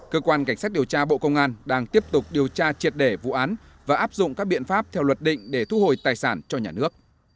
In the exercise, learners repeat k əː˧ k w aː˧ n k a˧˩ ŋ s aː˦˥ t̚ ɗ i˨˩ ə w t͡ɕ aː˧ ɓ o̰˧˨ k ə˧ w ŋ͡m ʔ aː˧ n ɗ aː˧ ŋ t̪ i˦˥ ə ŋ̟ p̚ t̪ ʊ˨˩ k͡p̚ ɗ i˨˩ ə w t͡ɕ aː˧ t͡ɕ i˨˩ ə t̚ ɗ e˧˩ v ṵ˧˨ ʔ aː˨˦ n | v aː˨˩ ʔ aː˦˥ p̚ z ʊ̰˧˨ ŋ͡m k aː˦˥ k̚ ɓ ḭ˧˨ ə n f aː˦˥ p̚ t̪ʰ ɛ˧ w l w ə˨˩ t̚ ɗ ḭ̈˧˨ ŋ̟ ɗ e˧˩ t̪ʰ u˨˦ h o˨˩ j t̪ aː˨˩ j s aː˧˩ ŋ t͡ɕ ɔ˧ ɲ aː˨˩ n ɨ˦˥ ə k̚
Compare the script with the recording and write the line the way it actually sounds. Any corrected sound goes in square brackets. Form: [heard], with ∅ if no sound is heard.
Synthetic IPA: k əː˧ k w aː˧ n k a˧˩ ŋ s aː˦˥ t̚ ɗ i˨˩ ə w t͡ɕ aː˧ ɓ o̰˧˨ k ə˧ w ŋ͡m ʔ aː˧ n ɗ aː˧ ŋ t̪ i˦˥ ə [∅] p̚ t̪ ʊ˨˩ k͡p̚ ɗ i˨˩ ə w t͡ɕ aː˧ t͡ɕ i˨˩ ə t̚ ɗ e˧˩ v ṵ˧˨ ʔ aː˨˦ n | v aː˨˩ ʔ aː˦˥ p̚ z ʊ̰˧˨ ŋ͡m k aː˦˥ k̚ ɓ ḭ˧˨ ə n f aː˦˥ p̚ t̪ʰ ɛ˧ w l w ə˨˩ t̚ ɗ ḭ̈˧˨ ŋ̟ ɗ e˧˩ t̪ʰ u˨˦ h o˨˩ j t̪ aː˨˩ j s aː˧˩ [n] t͡ɕ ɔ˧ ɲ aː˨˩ n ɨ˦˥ ə k̚